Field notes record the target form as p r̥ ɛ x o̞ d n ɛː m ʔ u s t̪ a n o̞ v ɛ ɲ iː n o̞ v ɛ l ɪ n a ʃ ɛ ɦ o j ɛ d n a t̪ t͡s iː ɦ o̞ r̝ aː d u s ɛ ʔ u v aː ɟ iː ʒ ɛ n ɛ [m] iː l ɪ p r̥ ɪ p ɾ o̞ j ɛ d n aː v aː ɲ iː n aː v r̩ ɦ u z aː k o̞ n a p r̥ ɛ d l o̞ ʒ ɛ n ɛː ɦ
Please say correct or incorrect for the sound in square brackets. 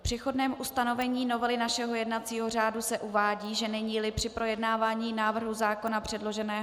incorrect